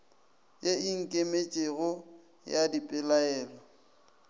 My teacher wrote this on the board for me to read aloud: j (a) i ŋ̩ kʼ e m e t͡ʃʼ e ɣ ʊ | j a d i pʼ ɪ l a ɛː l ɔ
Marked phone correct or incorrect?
incorrect